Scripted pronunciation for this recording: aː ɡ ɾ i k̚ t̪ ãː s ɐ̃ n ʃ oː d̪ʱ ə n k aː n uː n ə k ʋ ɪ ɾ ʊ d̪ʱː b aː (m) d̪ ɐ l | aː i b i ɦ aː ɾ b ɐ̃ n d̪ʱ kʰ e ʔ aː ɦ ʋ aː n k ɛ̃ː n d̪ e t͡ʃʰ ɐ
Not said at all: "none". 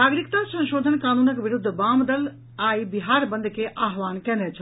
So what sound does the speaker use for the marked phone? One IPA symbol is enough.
m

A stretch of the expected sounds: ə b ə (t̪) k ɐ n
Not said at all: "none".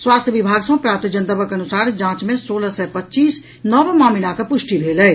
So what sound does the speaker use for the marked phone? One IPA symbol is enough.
none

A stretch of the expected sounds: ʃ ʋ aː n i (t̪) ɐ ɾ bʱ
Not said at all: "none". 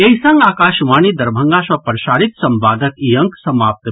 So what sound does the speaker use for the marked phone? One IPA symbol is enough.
d̪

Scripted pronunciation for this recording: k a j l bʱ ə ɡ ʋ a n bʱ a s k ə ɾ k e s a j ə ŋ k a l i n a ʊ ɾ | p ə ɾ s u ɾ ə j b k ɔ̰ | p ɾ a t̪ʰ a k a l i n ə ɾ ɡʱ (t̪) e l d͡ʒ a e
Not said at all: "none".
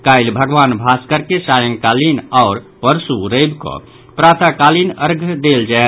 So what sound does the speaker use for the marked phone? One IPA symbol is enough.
d̪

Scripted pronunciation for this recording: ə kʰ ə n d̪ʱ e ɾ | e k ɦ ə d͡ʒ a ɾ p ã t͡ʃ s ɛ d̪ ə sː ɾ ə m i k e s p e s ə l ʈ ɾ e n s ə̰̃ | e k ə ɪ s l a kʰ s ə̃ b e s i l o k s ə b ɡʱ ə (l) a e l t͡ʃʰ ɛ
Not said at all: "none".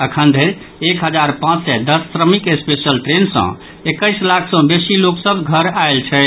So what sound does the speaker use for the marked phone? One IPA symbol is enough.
ɾ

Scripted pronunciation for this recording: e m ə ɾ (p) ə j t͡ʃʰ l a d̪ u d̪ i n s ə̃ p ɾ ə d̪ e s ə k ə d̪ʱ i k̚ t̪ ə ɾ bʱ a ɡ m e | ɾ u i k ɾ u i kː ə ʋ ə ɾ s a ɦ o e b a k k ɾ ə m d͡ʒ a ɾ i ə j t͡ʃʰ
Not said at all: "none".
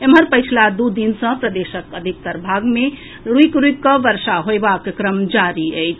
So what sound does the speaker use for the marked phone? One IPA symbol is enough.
p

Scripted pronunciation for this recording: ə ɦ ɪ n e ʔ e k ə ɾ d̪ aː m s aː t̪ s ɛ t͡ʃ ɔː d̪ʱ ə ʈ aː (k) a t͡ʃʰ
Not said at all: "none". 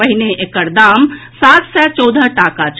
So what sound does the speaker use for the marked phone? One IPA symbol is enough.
k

